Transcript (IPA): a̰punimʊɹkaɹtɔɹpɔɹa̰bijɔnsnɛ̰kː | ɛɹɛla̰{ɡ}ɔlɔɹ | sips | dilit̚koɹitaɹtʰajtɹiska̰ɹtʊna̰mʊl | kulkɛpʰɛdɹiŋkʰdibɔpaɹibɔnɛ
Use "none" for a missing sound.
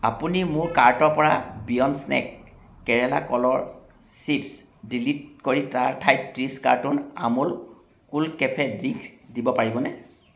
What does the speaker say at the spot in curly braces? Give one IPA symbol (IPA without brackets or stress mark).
k